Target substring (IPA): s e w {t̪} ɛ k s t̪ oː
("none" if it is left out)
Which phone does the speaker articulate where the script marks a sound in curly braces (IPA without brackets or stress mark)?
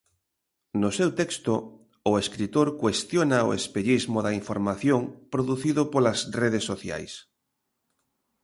t̪